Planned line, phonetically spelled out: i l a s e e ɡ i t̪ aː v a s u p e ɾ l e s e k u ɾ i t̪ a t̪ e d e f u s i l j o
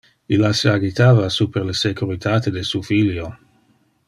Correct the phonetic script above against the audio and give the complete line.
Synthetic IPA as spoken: i l a s e a ɡ i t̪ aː v a s u p e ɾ l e s e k u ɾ i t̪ a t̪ e d e s u f i l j o